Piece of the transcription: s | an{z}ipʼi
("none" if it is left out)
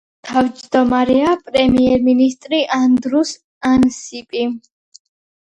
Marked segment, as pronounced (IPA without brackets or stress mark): s